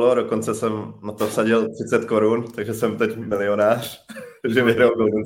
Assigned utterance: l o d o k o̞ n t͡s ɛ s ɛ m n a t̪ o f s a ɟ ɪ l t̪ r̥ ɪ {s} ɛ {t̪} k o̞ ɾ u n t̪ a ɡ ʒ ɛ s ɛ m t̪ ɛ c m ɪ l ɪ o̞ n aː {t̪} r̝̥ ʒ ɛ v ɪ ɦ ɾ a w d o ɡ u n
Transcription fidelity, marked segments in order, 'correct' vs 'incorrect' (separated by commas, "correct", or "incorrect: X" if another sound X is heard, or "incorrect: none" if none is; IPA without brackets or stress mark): incorrect: t͡s, correct, incorrect: none